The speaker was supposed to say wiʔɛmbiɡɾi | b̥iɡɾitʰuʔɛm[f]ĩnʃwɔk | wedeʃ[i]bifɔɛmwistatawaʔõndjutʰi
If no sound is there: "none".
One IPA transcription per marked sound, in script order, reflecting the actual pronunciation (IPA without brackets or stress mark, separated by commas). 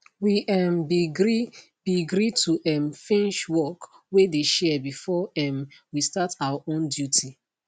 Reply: f, ɛ